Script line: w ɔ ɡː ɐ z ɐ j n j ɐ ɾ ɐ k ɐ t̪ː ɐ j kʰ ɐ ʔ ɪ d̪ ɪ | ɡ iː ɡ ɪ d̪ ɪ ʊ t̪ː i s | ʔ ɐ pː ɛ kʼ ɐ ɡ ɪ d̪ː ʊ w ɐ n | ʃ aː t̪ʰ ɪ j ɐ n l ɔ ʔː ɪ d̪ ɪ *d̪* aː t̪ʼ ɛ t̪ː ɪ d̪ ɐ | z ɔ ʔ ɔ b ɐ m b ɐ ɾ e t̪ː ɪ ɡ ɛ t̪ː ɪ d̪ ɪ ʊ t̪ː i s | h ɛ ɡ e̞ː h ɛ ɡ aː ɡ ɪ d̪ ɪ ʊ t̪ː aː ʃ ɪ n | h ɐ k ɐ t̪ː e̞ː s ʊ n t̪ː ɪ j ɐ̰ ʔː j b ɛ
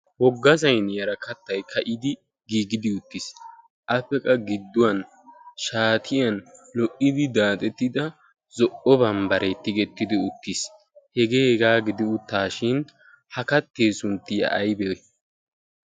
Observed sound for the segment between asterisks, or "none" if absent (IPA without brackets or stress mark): d̪